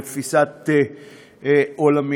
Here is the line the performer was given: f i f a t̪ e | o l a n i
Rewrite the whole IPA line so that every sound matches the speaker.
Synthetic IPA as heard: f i s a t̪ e | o l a m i